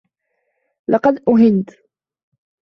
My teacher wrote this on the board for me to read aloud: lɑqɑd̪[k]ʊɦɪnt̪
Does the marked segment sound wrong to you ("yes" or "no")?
yes